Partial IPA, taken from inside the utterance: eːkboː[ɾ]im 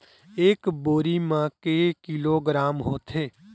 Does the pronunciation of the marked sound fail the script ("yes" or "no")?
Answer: no